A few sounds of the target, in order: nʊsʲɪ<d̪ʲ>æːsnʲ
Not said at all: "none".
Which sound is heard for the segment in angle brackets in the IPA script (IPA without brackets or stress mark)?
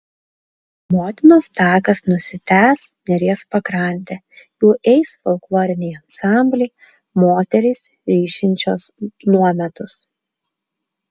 t̪ʲ